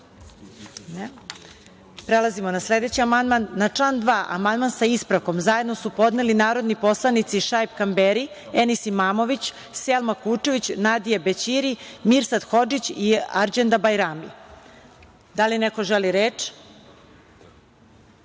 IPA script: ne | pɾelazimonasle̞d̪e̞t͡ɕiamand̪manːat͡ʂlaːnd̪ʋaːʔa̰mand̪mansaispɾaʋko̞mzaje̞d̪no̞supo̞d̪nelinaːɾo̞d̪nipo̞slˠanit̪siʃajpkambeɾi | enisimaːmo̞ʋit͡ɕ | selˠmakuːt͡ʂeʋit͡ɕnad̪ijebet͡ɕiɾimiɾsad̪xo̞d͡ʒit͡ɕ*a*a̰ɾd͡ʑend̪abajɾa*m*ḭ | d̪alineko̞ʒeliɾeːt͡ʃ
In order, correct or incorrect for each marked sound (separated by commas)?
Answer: incorrect, correct